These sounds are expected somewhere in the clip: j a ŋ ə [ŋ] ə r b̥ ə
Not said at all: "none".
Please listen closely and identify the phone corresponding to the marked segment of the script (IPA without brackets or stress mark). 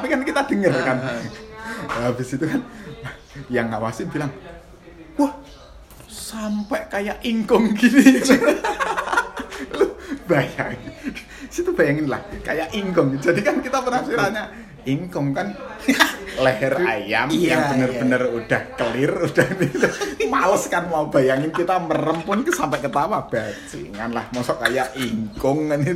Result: n